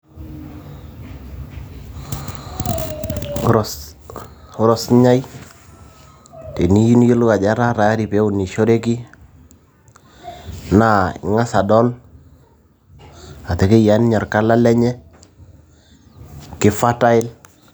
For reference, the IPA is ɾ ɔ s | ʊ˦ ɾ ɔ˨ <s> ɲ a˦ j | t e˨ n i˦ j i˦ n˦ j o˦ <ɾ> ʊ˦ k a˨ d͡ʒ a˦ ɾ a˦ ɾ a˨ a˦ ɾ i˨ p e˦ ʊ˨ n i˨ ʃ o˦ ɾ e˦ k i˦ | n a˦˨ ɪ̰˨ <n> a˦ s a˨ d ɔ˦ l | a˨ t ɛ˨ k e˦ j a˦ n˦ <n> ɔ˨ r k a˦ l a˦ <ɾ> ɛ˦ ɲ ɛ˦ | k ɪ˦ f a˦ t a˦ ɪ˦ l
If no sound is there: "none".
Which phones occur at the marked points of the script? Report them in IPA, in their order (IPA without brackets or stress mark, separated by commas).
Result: s, l, ŋ, ɲ, l